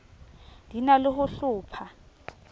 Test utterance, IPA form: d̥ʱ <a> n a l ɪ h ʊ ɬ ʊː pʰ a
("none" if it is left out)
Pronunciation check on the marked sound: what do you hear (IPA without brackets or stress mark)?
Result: i